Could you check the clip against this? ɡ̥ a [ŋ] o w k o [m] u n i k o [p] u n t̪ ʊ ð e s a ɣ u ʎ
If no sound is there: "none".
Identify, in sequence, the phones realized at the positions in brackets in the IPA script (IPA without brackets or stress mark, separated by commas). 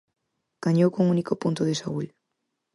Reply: ɲ, ŋ, p